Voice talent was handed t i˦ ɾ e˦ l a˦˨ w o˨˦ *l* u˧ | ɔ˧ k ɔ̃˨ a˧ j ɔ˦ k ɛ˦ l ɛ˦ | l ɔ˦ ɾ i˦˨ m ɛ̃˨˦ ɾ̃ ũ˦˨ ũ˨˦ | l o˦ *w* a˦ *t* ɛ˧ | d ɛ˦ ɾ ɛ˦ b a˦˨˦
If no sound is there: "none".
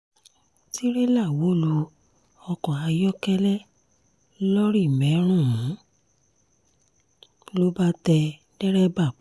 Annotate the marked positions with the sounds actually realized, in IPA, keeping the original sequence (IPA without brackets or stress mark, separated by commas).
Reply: l, b, t